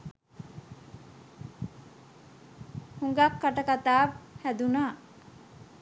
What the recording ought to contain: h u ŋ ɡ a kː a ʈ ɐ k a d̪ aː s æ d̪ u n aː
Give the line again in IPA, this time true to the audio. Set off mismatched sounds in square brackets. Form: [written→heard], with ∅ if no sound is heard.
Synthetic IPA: h u ŋ ɡ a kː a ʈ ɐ k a [d̪→t̪] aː [s→h] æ d̪ u n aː